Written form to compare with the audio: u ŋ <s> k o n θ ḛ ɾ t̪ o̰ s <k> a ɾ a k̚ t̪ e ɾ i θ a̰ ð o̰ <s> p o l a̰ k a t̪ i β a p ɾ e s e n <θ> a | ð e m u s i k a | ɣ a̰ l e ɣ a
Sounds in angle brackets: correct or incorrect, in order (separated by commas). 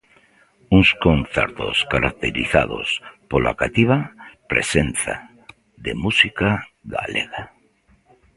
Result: correct, correct, correct, correct